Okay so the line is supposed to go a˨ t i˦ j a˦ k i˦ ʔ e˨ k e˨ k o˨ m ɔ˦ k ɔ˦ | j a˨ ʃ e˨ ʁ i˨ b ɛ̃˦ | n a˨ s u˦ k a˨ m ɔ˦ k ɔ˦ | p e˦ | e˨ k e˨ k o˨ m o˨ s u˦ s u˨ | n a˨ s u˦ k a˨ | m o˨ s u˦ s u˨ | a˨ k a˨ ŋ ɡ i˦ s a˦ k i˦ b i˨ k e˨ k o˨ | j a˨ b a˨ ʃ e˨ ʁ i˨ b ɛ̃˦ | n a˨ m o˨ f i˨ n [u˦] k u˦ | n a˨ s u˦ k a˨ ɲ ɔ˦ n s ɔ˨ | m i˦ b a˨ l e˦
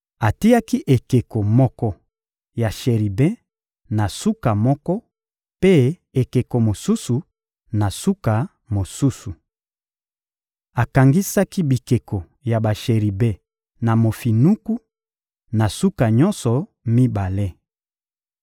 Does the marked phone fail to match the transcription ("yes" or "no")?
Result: no